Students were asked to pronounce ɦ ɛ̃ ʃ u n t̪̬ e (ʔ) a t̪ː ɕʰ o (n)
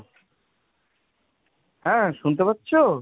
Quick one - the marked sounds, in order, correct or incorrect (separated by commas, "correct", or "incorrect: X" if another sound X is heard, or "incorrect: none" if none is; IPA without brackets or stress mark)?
incorrect: p, incorrect: none